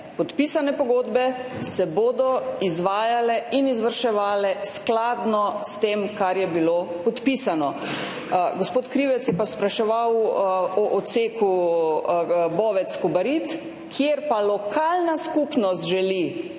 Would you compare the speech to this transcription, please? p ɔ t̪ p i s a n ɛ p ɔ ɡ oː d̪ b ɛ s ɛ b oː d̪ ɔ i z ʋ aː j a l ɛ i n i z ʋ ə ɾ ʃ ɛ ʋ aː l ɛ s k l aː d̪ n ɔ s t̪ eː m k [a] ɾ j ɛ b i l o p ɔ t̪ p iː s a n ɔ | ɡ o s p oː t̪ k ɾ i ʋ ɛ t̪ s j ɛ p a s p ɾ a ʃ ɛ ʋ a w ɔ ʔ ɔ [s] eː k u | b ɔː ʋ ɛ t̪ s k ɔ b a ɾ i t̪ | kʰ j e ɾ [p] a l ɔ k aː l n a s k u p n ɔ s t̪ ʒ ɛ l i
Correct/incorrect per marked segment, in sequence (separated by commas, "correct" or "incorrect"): correct, correct, correct